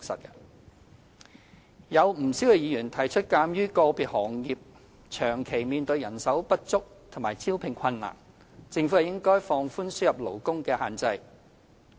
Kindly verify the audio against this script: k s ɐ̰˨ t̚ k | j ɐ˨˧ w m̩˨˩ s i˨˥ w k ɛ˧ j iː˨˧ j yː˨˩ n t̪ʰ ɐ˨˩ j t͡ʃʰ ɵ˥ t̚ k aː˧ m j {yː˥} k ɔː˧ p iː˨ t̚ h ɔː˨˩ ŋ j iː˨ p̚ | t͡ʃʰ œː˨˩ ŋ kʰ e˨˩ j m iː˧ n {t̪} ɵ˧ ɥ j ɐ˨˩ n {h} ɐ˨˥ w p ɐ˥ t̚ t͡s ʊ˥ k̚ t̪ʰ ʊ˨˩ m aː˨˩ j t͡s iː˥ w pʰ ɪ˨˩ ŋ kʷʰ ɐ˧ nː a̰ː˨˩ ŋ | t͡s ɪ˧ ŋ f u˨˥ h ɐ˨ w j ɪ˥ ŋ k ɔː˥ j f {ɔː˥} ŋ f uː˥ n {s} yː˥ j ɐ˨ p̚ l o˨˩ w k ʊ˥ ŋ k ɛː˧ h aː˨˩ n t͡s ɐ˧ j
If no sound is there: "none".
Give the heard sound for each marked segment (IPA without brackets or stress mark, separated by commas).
yː˥, t̪, s, ɔː˧, s